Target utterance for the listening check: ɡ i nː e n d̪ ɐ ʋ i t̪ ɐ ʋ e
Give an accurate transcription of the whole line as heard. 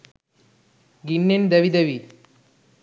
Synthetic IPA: ɡ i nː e n d̪ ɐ ʋ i d̪ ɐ ʋ i